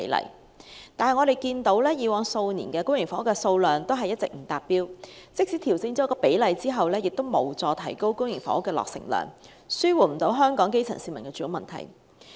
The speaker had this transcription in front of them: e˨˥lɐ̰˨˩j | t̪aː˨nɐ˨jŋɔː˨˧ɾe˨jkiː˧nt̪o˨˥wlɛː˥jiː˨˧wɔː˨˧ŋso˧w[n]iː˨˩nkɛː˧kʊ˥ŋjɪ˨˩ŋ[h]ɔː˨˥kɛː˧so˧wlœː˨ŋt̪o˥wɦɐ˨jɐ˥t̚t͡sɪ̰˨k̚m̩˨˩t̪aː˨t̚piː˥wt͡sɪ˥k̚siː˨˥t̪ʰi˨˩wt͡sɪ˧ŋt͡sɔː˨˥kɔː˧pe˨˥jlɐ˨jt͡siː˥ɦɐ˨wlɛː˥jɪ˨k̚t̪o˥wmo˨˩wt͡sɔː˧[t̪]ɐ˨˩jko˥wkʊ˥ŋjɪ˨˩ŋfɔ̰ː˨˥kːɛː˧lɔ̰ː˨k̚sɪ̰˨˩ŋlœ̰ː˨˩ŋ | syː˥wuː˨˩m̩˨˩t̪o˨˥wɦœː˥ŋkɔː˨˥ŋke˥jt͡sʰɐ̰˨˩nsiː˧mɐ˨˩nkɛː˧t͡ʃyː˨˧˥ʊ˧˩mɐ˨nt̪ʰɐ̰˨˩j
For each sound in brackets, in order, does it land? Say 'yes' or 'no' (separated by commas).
yes, no, no